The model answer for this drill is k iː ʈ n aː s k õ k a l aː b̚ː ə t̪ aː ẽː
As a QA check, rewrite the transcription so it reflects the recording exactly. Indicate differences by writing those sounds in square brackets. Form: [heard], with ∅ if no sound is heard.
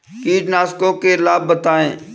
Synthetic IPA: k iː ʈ n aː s k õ k [e] l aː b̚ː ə t̪ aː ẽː